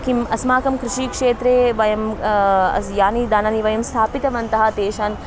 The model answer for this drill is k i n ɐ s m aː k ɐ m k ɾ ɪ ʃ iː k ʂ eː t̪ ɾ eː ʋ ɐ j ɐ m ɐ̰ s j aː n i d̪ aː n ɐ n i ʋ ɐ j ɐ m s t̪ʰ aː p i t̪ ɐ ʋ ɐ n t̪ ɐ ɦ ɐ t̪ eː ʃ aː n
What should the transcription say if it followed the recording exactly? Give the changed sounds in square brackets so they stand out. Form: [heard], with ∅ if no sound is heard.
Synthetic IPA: k i [m] ɐ s m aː k ɐ m k ɾ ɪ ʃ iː k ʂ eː t̪ ɾ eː ʋ ɐ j ɐ m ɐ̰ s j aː n i d̪ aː n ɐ n i ʋ ɐ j ɐ m s t̪ʰ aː p i t̪ ɐ ʋ ɐ n t̪ ɐ ɦ ɐ t̪ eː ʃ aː n